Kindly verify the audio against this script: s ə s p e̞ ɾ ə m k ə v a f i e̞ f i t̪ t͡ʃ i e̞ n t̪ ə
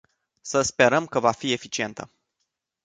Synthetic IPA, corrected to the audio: s ə s p e̞ ɾ ə m k ə v a f i e̞ f i t͡ʃ i e̞ n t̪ ə